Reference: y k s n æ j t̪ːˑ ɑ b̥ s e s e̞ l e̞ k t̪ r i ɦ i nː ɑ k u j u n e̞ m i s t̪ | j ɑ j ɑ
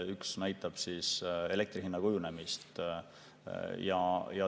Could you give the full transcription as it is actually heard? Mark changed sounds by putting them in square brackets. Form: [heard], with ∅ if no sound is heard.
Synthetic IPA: y k s n æ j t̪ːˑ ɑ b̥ s [i] s e̞ l e̞ k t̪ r i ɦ i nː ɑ k u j u n e̞ m i s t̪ | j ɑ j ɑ

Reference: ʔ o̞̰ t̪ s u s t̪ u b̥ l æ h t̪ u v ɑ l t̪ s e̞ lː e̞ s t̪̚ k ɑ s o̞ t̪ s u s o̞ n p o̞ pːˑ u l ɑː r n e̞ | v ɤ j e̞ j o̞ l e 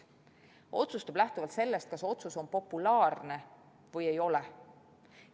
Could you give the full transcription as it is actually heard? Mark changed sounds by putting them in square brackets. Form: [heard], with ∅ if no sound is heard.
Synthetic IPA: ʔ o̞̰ t̪ s u s t̪ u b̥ l æ h t̪ u v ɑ l t̪ s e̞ lː e̞ s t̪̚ k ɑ s o̞ t̪ s u s o̞ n p o̞ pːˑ u l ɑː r n e̞ | v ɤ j e̞ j o̞ l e

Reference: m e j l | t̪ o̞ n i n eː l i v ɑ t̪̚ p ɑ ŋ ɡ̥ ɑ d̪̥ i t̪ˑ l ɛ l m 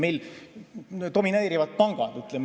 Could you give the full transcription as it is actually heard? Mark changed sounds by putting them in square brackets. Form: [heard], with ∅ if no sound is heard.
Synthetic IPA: m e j l | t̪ o̞ [m] i n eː [ɾ] i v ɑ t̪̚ p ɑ ŋ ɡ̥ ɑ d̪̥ [y] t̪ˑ l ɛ [∅] m

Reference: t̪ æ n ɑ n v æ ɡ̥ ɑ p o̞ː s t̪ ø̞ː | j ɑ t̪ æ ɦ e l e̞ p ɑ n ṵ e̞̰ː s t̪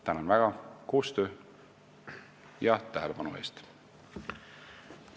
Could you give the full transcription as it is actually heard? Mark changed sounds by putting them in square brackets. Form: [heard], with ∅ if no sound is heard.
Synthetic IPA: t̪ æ n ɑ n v æ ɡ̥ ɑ [k] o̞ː s t̪ ø̞ː | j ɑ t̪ æ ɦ e l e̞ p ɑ n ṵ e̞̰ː s t̪

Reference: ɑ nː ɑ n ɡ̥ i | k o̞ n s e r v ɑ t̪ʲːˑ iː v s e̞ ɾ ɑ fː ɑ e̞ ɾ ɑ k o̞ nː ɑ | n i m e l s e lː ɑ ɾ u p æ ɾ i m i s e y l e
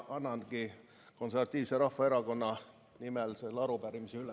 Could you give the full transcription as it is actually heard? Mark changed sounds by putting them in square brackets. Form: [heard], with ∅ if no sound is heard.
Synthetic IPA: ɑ nː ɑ n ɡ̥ i | k o̞ n s e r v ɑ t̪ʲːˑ iː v s e̞ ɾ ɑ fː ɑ e̞ ɾ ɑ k o̞ nː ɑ | n i m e l s e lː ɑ ɾ u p æ ɾ i m i s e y l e

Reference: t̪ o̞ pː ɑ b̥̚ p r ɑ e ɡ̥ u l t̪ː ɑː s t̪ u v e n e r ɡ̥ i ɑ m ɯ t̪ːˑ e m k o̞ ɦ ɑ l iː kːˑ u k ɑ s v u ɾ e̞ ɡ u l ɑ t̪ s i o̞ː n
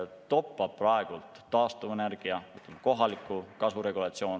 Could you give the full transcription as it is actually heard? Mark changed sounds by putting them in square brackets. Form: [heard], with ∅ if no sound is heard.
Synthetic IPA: t̪ o̞ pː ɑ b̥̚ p r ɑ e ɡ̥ u l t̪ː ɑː s t̪ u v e n e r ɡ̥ i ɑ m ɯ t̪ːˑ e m k o̞ ɦ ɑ l [i] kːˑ u k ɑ s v u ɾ e̞ ɡ u l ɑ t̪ s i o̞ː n

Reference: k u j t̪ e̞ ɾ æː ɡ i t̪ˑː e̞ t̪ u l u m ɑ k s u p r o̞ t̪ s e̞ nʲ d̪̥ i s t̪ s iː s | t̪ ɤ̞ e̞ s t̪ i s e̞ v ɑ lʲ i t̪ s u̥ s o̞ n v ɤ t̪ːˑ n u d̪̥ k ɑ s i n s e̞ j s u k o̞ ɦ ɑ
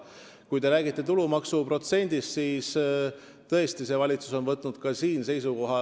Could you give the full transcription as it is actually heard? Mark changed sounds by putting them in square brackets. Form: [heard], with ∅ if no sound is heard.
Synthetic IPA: k u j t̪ e̞ ɾ æː ɡ i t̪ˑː e̞ t̪ u l u m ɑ k s u p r o̞ t̪ s e̞ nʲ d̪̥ i s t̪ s iː s | t̪ ɤ̞ e̞ s t̪ i s e̞ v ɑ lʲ i t̪ s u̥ s o̞ n v ɤ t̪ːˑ n u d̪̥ k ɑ s [iː] n s e̞ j s u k o̞ ɦ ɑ

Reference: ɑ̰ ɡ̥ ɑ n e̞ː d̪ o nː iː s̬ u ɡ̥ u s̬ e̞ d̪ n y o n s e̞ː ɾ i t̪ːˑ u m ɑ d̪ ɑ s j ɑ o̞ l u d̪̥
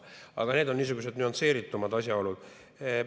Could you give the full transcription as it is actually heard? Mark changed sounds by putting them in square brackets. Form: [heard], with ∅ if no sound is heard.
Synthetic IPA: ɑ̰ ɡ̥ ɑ n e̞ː d̪ o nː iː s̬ u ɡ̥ u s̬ e̞ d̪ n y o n s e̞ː ɾ i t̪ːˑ u m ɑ d̪ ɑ s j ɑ o̞ l u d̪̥

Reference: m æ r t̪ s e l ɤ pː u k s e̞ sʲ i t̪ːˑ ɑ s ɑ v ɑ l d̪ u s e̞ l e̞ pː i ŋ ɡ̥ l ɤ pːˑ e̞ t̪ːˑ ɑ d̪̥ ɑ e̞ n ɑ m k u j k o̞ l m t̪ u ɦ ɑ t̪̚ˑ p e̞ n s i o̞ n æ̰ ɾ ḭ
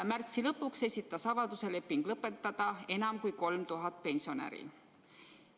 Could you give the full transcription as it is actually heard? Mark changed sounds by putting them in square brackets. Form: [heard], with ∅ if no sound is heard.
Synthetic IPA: m æ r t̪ s [i] l ɤ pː u k s e̞ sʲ i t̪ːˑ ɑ s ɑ v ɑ l d̪ u s e̞ l e̞ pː i ŋ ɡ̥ l ɤ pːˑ e̞ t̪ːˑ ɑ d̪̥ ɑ e̞ n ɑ m k u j k o̞ l m t̪ u ɦ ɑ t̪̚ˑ p e̞ n s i o̞ n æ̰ ɾ ḭ

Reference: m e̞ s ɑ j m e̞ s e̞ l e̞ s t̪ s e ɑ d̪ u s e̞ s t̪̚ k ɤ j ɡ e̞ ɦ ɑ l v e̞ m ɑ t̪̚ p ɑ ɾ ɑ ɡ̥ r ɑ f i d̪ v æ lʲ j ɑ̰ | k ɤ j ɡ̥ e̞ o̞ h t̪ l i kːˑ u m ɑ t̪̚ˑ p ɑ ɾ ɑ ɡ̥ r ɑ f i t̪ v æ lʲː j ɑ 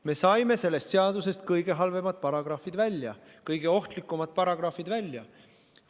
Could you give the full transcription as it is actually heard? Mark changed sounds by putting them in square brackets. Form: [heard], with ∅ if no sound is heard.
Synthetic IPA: m e̞ s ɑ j m e̞ s e̞ [lː] e̞ s t̪ s e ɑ d̪ u s e̞ s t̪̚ k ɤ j ɡ e̞ ɦ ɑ l v e̞ m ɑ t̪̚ p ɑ ɾ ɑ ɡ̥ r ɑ f i d̪ v æ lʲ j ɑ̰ | k ɤ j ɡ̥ e̞ o̞ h t̪ l i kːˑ u m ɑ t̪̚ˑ p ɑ ɾ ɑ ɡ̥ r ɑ f i [d̪] v æ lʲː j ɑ

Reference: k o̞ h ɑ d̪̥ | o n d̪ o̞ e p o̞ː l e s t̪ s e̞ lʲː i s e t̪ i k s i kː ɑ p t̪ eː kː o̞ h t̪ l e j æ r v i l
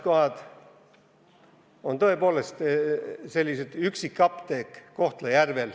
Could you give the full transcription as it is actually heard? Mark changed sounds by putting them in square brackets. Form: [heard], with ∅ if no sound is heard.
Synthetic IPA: k o̞ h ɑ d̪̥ | o n [t̪] o̞ e p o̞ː l e s t̪ s e̞ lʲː i s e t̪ [y] k s i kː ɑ p t̪ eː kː o̞ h t̪ l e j æ r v [e] l

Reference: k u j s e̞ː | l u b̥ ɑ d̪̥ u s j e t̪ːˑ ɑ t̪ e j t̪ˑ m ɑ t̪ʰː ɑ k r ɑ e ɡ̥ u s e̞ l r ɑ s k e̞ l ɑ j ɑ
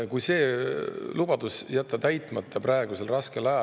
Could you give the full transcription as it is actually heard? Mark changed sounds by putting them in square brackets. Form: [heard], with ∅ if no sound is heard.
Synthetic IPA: k u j s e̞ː | l u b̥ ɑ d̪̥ u s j [æ] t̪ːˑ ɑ t̪ [æ] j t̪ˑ m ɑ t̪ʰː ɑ [p] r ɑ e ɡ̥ u s e̞ l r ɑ s k e̞ l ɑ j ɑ

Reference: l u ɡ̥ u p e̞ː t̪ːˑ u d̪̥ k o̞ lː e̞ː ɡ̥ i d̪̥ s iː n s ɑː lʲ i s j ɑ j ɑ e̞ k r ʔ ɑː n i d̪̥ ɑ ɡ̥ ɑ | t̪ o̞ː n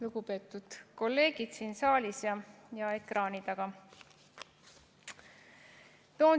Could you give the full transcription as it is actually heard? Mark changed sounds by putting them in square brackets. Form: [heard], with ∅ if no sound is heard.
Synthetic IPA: l u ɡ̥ u p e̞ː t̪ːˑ u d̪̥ k o̞ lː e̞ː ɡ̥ i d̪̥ s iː n s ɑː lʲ i s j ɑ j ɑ e̞ k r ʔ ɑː n i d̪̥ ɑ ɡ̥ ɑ | t̪ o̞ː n

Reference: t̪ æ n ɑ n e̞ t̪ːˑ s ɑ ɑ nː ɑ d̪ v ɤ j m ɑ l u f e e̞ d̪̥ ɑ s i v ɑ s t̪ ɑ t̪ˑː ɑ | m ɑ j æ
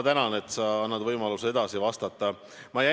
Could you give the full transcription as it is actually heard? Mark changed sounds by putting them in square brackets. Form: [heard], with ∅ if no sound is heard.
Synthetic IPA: t̪ æ n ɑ n e̞ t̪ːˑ s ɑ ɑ nː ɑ d̪ v ɤ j m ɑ l u [s] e e̞ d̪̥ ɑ s i v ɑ s t̪ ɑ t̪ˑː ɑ | m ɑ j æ

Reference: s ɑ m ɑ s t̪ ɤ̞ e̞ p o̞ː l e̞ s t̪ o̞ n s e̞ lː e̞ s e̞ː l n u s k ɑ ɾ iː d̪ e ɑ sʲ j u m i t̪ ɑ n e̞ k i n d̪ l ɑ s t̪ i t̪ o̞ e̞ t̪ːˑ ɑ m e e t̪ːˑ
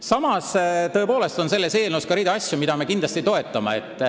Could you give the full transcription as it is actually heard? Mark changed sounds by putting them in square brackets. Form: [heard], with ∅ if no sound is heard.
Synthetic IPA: s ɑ m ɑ s t̪ ɤ̞ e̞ p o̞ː l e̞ s t̪ o̞ n s e̞ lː e̞ s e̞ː l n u s k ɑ ɾ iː d̪ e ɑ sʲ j u m i [d̪] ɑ [m] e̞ k i n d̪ l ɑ s t̪ i t̪ o̞ e̞ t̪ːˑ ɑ m e e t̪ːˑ

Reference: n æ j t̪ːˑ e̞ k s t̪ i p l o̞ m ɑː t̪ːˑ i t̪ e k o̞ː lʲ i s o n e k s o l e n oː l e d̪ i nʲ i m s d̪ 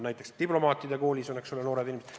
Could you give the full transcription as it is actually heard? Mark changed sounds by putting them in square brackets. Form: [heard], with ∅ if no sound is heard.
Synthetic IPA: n æ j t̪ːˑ e̞ k s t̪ i p l o̞ m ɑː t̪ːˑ i [d̪] e k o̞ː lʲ i s o n e k s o l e n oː [ɾ] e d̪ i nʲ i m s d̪

